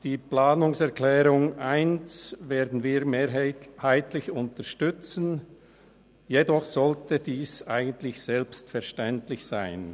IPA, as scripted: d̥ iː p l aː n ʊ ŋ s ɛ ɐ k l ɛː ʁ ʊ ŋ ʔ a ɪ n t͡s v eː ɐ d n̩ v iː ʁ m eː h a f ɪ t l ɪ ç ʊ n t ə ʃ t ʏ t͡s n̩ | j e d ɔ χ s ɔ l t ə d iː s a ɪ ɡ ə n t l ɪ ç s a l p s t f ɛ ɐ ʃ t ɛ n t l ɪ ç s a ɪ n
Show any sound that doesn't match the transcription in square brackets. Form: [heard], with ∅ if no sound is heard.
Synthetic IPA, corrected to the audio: d̥ iː p l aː n ʊ ŋ s ɛ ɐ k l ɛː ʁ ʊ ŋ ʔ a ɪ n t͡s v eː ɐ d n̩ v iː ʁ m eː h a [∅] ɪ t l ɪ ç ʊ n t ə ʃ t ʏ t͡s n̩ | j e d ɔ χ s ɔ l t ə d iː s a ɪ ɡ ə n t l ɪ ç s [ɛ] l p s t f ɛ ɐ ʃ t ɛ n t l ɪ ç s a ɪ n